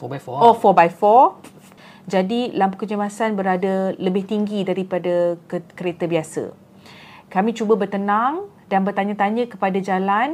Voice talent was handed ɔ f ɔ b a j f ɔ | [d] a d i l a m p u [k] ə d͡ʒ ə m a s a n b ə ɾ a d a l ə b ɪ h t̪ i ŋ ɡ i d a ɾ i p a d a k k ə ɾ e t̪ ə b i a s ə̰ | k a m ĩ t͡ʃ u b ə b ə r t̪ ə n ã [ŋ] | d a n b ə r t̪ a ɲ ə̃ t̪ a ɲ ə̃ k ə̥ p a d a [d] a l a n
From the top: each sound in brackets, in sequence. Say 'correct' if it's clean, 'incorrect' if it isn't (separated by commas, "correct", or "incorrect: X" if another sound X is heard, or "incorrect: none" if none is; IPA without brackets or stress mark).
incorrect: d͡ʒ, correct, correct, incorrect: d͡ʒ